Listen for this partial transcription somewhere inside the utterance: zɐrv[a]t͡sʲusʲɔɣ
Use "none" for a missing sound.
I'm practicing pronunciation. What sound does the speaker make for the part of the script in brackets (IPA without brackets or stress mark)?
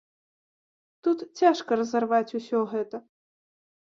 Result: a